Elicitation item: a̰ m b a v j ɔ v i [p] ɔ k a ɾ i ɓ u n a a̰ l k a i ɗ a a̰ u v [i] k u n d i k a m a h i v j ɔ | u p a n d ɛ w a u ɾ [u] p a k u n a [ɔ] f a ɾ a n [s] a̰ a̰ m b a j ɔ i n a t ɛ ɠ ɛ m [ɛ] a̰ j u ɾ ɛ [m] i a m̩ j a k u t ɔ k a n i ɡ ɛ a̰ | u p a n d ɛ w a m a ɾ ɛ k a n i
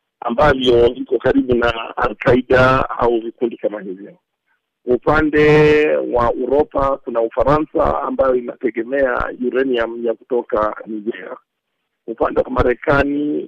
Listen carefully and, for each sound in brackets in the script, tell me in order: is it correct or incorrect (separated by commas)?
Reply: incorrect, correct, incorrect, incorrect, correct, correct, incorrect